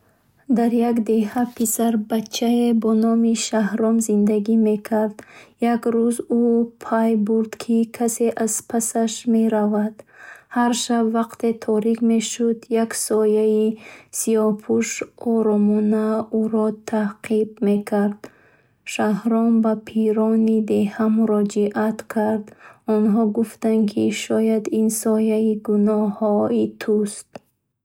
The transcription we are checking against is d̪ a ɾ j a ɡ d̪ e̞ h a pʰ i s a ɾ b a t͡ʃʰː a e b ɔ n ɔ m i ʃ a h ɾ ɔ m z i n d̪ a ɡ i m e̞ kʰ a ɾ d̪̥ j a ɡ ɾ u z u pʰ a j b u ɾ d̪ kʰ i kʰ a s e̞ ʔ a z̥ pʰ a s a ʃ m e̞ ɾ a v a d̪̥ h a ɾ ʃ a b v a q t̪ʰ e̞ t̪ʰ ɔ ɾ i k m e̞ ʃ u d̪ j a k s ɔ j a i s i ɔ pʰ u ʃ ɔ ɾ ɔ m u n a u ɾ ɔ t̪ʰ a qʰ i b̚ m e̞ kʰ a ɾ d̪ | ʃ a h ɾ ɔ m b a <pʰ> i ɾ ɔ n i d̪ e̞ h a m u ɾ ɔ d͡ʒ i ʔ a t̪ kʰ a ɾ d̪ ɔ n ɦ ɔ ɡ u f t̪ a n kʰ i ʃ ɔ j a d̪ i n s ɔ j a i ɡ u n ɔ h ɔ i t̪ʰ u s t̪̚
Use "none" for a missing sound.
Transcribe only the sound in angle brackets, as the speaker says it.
pʰ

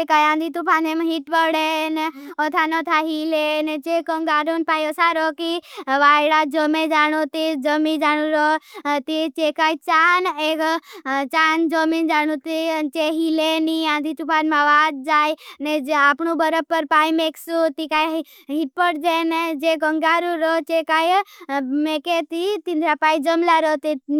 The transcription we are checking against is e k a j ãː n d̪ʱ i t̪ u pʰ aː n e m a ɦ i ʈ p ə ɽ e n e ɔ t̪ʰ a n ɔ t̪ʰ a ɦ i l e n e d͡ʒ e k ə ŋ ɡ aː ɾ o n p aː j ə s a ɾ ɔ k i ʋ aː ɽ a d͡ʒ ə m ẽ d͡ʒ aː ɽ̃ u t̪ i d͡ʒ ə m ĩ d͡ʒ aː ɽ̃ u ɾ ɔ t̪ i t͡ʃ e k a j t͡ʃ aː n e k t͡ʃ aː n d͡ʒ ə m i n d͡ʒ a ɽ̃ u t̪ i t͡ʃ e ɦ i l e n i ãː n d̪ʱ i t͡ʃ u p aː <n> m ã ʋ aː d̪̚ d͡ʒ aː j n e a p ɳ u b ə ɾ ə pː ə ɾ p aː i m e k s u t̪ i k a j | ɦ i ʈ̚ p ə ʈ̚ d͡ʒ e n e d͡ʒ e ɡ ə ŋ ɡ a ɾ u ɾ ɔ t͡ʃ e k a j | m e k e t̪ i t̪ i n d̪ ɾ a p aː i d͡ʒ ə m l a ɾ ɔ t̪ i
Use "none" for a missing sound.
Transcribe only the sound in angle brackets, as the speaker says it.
n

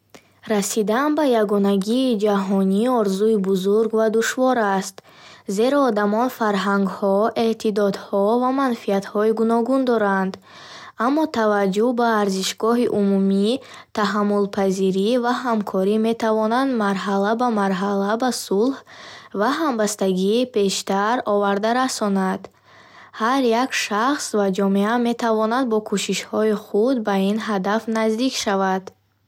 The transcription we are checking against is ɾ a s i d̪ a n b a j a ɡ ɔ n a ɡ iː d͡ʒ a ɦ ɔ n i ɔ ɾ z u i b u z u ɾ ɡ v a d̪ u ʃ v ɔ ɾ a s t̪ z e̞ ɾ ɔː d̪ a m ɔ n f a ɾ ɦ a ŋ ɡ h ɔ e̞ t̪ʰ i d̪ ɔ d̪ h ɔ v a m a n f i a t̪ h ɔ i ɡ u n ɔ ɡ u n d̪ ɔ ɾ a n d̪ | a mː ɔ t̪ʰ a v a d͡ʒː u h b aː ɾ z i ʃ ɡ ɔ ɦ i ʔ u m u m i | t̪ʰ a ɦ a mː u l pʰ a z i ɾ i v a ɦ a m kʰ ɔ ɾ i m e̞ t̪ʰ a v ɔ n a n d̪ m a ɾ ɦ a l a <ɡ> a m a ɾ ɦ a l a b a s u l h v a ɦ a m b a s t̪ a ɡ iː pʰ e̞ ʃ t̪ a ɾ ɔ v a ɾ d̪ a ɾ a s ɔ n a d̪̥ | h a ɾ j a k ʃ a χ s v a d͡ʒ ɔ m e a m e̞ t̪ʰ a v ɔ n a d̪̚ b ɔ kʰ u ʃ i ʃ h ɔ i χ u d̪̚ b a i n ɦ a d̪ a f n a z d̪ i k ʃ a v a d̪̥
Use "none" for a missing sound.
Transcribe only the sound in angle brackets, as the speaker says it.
b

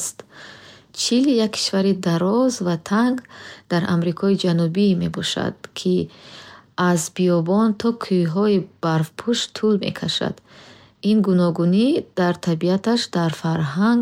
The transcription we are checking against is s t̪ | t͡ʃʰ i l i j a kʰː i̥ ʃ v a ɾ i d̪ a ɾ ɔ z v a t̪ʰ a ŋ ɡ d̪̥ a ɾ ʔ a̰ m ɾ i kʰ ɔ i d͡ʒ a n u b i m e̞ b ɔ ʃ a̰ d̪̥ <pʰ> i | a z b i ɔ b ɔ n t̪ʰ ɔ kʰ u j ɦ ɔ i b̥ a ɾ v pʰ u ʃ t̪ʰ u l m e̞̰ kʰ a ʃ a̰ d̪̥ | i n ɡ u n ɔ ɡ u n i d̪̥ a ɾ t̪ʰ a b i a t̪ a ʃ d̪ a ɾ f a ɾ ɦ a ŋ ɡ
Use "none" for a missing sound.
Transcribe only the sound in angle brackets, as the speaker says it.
kʰ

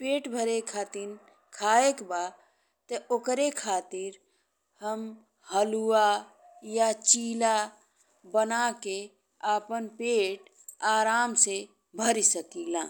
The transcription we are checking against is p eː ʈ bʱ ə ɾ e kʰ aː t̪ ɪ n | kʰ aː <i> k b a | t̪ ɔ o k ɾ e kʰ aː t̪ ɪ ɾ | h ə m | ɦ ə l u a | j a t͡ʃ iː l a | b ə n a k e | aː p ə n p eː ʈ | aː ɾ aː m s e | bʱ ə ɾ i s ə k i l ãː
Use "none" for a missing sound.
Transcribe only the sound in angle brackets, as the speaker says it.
e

